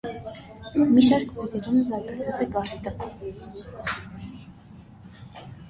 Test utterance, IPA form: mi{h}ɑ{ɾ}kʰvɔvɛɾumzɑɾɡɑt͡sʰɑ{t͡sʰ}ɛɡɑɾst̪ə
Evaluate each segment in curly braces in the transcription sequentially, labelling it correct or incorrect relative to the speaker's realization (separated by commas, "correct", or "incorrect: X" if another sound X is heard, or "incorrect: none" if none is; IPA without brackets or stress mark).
incorrect: ʃ, correct, incorrect: t͡s